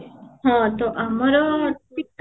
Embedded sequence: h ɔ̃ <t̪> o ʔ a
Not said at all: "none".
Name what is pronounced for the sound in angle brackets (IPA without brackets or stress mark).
t̪